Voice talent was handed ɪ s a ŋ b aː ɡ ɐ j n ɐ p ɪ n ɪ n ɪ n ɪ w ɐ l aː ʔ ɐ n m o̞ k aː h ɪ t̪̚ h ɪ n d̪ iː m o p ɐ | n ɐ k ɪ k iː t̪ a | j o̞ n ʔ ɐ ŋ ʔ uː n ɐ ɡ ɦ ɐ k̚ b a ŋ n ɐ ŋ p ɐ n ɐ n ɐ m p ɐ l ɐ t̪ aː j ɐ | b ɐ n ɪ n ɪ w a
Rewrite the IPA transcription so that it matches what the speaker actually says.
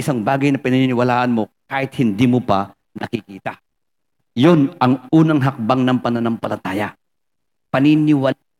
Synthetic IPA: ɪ s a ŋ b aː ɡ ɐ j n ɐ p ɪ n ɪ n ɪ n ɪ w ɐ l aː ʔ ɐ n m o̞ k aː h ɪ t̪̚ h ɪ n d̪ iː m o p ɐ | n ɐ k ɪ k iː t̪ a | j o̞ n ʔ ɐ ŋ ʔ uː n ɐ ŋ ɦ ɐ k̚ b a ŋ n ɐ ŋ p ɐ n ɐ n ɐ m p ɐ l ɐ t̪ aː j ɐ | p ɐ n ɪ n ɪ w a